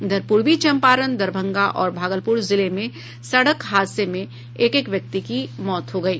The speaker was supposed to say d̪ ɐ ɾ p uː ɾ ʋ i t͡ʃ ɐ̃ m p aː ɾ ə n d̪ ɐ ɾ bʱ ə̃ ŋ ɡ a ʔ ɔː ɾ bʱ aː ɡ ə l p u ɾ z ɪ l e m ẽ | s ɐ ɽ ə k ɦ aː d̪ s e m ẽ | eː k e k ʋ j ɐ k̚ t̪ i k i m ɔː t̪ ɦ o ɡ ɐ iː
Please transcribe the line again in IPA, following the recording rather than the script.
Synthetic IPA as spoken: d̪ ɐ ɾ p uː ɾ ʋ i t͡ʃ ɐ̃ m p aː ɾ ə n d̪ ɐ ɾ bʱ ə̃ ŋ ɡ a ʔ ɔː ɾ bʱ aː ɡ ə l p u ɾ z ɪ l e m ẽ | s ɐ ɽ ə k ɦ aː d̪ s e m ẽ | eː k e k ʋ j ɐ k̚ t̪ i k i m ɔː t̪ ɦ o ɡ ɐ iː

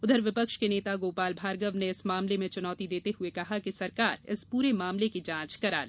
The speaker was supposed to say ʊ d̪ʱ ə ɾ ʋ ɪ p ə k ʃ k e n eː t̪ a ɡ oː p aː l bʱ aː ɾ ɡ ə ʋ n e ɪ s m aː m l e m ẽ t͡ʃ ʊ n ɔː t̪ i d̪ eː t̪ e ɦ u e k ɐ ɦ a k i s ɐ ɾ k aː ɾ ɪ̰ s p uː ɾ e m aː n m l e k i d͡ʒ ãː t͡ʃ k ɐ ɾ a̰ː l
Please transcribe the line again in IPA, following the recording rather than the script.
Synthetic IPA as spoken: ʊ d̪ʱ ə ɾ ʋ ɪ p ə k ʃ k e n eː t̪ a ɡ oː p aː l bʱ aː ɾ ɡ ə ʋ n e ɪ s m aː m l e m ẽ t͡ʃ ʊ n ɔː t̪ i d̪ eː t̪ e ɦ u e k ɐ ɦ a k i s ɐ ɾ k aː ɾ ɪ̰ s p uː ɾ e m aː m l e k i d͡ʒ ãː t͡ʃ k ɐ ɾ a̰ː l

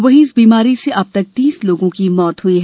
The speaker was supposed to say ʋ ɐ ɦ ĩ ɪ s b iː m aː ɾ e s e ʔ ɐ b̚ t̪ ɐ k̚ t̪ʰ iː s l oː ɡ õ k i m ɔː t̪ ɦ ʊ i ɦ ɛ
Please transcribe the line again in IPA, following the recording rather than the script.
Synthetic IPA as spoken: ʋ ɐ ɦ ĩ ɪ s b iː m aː ɾ i s e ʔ ɐ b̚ t̪ ɐ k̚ t̪ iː s l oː ɡ õ k i m ɔː t̪ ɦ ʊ i ɦ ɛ

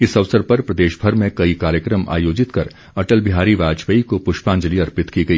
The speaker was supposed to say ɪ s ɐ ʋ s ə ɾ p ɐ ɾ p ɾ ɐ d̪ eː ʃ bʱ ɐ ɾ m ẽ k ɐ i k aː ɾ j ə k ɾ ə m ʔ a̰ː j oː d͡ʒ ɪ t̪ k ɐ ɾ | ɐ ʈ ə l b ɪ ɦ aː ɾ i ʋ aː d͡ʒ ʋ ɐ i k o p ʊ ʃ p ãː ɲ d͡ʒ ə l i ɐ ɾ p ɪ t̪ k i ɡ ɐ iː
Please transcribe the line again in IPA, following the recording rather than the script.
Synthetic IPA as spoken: ɪ s ɐ ʋ s ə ɾ p ɐ ɾ p ɾ ɐ d̪ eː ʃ bʱ ɐ ɾ m ẽ k ɐ i k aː ɾ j ə k ɾ ə m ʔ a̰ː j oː d͡ʒ ɪ t̪ k ɐ ɾ | ɐ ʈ ə l b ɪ ɦ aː ɾ i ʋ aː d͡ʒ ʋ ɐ i k o p ʊ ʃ p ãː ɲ d͡ʒ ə l i ɐ ɾ p ɪ t̪ k i ɡ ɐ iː

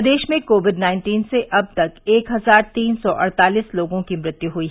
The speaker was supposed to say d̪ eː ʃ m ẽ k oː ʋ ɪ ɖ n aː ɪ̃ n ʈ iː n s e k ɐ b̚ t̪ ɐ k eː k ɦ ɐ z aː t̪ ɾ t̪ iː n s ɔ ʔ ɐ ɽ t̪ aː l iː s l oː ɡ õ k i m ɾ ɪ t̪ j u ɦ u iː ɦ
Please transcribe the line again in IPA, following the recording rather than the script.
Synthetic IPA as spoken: d̪ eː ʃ m ẽ k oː ʋ ɪ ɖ n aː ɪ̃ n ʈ iː n s e ʔ ɐ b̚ t̪ ɐ k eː k ɦ ɐ z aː ɾ t̪ iː n s ɔ ʔ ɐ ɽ t̪ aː l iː s l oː ɡ õ k i m ɾ ɪ t̪ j u ɦ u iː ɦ

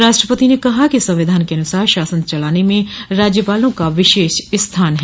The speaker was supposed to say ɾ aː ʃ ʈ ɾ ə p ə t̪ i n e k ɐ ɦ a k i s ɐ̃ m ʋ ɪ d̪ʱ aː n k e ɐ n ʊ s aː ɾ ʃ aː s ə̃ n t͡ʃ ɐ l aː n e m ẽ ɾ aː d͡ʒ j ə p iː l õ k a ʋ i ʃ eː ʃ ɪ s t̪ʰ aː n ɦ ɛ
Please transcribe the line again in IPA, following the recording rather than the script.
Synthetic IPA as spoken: ɾ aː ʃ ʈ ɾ ə p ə t̪ i n e k ɐ ɦ a k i s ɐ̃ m ʋ ɪ d̪ʱ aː n k e ɐ n ʊ s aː ɾ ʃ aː s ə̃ n t͡ʃ ɐ l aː n e m ẽ ɾ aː d͡ʒ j ə p aː l õ k a ʋ ɪ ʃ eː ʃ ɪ s t̪ʰ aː n ɦ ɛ

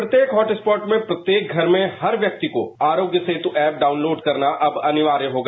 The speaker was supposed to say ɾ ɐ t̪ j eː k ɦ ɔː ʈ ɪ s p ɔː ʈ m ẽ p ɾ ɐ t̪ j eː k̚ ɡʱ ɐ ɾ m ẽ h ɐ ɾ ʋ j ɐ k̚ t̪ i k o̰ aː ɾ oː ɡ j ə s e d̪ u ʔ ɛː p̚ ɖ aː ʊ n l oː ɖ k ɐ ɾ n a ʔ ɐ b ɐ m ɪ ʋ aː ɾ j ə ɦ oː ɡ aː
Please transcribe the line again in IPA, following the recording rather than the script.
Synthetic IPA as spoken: ɾ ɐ t̪ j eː k ɦ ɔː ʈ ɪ s p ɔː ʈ m ẽ p ɾ ɐ t̪ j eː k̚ ɡʱ ɐ ɾ m ẽ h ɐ ɾ ʋ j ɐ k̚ t̪ i k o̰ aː ɾ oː ɡ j ə s e t̪ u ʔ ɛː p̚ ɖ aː ʊ n l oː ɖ k ɐ ɾ n a ʔ ɐ b ɐ n ɪ ʋ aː ɾ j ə ɦ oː ɡ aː

